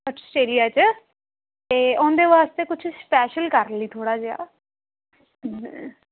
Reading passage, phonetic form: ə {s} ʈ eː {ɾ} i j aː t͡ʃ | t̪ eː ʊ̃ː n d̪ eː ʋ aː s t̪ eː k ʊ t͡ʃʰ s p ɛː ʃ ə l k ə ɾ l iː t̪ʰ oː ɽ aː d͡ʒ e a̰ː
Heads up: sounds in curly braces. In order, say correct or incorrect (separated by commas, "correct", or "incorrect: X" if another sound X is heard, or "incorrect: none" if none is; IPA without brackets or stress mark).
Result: correct, incorrect: l